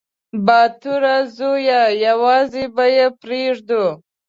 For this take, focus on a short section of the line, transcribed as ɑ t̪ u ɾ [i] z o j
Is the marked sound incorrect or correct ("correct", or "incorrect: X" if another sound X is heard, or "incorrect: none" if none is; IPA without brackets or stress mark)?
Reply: incorrect: a